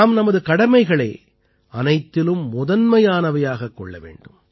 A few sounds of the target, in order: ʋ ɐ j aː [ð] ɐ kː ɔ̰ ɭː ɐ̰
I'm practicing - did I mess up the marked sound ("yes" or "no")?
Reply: yes